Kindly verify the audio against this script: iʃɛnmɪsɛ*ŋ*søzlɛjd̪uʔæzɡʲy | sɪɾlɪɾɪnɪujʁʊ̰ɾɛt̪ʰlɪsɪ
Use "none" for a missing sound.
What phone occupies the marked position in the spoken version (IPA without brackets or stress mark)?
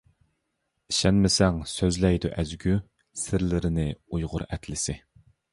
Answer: ŋ